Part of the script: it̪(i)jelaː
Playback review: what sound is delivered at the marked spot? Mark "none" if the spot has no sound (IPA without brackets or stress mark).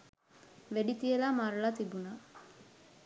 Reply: i